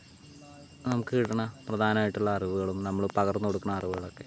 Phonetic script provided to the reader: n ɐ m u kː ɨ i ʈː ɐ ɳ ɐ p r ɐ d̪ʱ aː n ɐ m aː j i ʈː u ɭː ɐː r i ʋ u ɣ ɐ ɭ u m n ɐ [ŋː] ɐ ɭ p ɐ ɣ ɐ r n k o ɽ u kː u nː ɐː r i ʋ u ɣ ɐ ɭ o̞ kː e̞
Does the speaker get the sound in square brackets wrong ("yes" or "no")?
yes